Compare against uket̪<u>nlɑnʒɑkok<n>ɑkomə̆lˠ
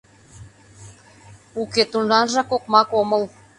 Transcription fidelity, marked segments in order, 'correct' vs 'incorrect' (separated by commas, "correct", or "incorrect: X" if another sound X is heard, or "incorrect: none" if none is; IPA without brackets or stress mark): correct, incorrect: m